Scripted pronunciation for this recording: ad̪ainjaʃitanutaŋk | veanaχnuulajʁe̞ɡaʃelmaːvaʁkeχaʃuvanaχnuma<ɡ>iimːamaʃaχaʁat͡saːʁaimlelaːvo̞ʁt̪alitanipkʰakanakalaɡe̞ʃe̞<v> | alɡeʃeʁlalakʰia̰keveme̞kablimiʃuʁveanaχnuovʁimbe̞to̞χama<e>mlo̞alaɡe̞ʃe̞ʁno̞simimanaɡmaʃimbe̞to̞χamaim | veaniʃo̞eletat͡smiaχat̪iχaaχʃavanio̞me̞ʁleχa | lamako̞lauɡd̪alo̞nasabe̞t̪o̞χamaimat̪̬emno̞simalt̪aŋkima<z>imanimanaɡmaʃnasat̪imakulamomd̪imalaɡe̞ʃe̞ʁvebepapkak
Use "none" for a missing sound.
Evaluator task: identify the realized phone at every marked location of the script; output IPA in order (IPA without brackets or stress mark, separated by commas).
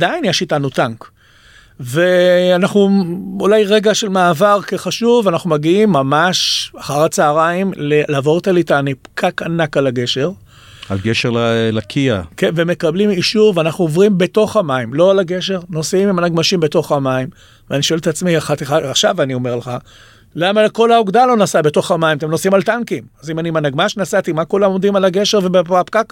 ɡ, ʁ, i, z